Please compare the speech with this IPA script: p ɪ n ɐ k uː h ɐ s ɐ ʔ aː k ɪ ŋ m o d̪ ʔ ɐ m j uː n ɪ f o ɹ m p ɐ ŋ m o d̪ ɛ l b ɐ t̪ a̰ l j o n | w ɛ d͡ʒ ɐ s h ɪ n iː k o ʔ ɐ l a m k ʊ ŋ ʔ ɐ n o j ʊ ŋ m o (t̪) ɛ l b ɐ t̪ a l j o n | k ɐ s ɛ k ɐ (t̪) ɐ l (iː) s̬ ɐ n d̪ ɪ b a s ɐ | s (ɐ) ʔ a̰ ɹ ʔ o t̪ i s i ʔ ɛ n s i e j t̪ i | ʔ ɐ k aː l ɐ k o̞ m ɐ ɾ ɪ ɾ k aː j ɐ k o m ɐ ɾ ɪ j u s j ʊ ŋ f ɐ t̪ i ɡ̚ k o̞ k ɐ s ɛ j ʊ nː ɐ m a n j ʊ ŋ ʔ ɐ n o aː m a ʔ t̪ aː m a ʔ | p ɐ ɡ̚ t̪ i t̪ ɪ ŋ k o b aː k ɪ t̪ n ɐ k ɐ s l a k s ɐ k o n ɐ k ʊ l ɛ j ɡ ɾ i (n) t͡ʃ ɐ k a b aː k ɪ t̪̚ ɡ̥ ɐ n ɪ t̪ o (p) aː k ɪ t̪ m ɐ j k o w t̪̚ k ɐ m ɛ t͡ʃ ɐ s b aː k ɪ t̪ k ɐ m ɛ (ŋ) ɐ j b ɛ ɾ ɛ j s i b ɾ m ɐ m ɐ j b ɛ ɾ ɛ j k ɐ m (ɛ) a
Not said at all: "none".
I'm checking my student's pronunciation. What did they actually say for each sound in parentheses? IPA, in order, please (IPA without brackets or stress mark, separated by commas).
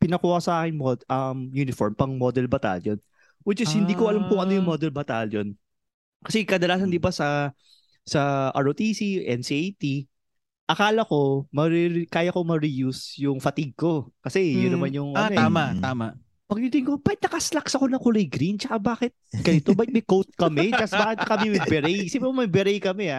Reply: d̪, d̪, aː, ɐ, n, b, m, ɛ